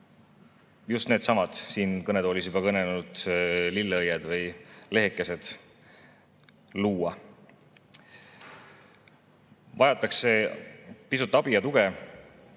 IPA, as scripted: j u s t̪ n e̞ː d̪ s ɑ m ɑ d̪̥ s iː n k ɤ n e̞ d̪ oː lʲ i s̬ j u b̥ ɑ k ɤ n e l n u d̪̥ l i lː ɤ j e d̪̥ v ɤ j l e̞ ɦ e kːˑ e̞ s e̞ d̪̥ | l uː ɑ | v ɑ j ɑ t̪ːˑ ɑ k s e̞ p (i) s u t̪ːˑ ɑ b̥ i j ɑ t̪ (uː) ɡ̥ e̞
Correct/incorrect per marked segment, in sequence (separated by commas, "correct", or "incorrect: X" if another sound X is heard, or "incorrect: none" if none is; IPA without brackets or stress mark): correct, incorrect: u